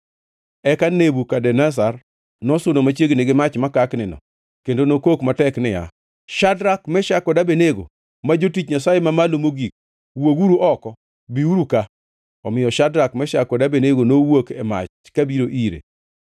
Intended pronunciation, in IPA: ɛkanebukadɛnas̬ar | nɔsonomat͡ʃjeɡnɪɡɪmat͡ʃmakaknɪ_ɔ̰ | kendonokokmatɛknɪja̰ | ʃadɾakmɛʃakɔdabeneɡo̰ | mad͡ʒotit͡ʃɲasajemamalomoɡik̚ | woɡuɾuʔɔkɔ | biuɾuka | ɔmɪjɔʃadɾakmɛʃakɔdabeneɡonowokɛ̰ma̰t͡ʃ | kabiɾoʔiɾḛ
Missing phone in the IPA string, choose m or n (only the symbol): n